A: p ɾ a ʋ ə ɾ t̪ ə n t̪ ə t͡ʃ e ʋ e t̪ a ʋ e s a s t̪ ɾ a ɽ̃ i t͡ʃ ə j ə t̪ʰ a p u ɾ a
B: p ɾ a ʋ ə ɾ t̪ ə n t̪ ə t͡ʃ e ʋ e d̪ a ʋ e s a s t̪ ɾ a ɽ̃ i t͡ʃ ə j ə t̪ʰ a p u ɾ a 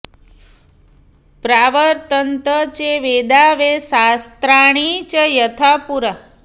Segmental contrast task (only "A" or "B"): B